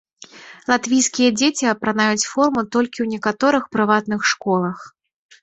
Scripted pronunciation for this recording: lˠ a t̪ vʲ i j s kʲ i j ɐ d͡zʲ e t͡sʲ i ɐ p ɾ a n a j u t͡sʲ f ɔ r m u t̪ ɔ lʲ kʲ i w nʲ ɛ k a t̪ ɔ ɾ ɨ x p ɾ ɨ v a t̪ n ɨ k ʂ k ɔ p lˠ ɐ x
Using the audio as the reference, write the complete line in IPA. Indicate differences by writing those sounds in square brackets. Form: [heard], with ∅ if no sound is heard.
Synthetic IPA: lˠ a t̪ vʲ i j s kʲ i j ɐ d͡zʲ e t͡sʲ i ɐ p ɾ a n a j u t͡sʲ f ɔ r m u t̪ ɔ lʲ kʲ i w nʲ ɛ k a t̪ ɔ ɾ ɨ x p ɾ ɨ v a t̪ n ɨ [x] ʂ k ɔ [∅] lˠ ɐ x